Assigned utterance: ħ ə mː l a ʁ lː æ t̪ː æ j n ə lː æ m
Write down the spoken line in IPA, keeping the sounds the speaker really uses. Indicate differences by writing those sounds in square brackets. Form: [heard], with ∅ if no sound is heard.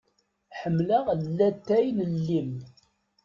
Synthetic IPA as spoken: ħ ə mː l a ʁ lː æ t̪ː æ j n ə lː [i] m